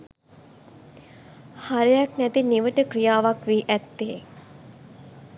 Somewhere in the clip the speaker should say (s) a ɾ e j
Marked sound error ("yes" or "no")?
yes